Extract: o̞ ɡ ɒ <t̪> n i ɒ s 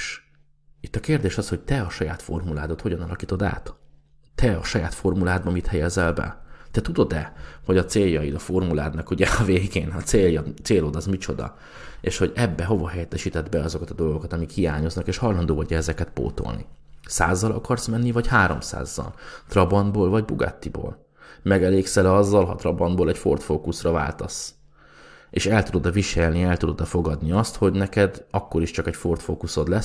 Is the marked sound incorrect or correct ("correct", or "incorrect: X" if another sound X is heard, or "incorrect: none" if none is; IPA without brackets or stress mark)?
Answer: incorrect: d̪